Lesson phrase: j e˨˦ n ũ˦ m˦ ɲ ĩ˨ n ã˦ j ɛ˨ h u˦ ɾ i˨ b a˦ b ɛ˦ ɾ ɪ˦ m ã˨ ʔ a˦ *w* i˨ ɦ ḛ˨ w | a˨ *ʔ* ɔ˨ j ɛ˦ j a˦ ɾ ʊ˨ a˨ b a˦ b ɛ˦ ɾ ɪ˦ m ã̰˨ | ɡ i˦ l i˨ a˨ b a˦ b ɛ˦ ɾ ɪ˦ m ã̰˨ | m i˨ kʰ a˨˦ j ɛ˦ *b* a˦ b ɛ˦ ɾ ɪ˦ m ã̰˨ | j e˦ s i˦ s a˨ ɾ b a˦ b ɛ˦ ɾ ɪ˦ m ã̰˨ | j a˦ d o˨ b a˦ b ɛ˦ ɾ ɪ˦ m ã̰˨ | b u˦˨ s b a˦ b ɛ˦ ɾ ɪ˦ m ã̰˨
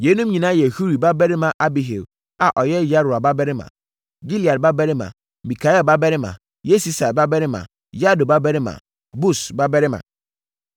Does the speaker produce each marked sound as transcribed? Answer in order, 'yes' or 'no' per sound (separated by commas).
no, yes, yes